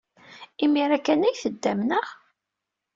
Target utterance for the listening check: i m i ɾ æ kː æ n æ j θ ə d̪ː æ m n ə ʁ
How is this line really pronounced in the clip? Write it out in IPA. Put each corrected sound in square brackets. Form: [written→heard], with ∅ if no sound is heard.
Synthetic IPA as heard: i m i ɾ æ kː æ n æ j θ ə d̪ː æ m n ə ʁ